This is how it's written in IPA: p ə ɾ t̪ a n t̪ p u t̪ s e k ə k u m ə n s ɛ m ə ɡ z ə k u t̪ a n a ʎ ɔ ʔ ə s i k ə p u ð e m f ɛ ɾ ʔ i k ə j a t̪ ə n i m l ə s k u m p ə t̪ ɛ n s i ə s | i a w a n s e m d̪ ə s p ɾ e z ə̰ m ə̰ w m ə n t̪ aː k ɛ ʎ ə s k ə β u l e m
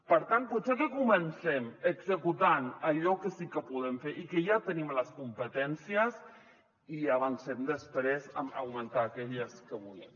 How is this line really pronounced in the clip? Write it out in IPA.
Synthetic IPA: p ə ɾ t̪ a n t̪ p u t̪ s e k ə k u m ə n s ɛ m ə ɡ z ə k u t̪ a n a ʎ ɔ k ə s i k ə p u ð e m f e ɾ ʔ i k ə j a t̪ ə n i m l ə s k u m p ə t̪ ɛ n s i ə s | i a β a n s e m d̪ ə s p ɾ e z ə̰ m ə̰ w m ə n t̪ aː k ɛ ʎ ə s k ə β u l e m